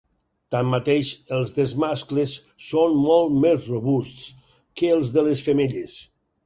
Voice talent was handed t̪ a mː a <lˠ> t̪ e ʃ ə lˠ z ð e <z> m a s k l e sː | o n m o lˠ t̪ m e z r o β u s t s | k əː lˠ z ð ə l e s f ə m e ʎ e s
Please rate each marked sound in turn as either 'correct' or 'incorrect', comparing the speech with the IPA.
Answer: incorrect, correct

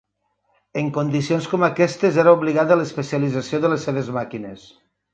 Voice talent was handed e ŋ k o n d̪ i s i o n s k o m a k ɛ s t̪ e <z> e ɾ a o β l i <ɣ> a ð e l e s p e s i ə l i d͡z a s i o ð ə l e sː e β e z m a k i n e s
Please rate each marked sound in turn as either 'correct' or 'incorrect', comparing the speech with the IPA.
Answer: correct, correct

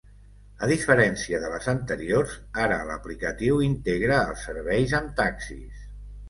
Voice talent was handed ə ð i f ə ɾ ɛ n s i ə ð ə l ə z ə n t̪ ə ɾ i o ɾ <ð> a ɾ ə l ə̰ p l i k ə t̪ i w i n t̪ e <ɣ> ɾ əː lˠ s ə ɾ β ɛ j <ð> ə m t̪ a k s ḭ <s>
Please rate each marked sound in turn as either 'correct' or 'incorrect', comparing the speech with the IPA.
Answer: incorrect, correct, incorrect, correct

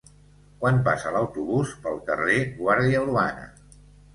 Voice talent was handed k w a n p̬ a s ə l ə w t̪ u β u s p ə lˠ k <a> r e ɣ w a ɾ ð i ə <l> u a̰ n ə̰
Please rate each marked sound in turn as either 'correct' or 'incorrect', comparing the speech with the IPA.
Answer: incorrect, correct

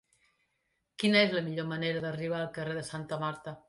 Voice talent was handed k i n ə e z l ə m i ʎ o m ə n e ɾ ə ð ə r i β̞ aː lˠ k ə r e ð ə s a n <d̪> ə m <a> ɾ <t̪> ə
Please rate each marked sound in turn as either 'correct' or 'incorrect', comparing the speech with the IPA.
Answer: incorrect, correct, correct

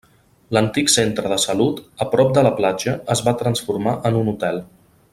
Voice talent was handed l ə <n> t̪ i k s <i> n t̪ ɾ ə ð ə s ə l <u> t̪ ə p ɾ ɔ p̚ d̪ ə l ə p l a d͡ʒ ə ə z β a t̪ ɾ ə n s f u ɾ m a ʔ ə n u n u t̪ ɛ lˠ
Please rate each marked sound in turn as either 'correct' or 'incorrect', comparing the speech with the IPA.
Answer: correct, incorrect, correct

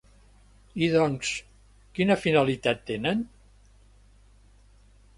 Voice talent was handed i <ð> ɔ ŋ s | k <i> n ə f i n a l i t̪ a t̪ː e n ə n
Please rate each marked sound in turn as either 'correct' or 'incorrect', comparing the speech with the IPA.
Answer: correct, correct

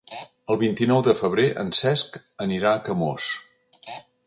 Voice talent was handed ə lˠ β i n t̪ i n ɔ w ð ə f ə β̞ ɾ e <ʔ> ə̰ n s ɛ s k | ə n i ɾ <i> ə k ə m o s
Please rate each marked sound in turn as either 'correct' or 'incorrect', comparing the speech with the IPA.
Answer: correct, incorrect

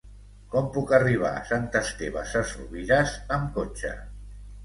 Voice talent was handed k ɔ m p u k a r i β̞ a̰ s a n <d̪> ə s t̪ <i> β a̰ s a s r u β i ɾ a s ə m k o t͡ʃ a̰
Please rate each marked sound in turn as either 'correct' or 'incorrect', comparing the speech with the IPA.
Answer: incorrect, incorrect

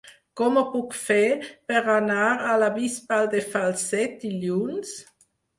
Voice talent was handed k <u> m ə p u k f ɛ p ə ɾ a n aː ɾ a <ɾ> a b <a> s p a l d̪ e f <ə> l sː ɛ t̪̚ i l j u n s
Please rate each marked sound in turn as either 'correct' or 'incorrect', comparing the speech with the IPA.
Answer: incorrect, incorrect, incorrect, incorrect

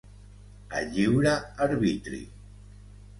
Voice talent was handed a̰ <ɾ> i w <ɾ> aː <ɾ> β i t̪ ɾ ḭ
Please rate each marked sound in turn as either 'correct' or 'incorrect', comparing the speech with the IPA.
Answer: incorrect, correct, correct

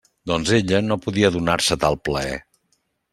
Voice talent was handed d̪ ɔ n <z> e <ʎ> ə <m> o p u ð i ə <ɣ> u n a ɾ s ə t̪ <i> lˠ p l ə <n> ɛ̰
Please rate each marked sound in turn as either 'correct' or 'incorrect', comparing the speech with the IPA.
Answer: correct, correct, incorrect, incorrect, incorrect, incorrect

